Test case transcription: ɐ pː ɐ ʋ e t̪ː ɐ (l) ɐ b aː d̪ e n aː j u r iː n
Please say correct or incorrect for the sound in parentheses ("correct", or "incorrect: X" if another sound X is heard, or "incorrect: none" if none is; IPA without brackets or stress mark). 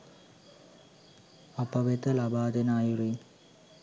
correct